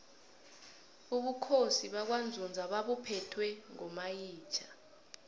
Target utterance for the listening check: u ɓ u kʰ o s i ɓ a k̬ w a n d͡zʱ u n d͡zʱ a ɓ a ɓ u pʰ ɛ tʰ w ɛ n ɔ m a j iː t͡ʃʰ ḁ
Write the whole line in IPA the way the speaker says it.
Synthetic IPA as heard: u ɓ u kʰ o s i ɓ a k̬ w a n d͡zʱ u n d͡zʱ a ɓ a ɓ u pʰ ɛ tʰ w ɛ ŋ ɔ m a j iː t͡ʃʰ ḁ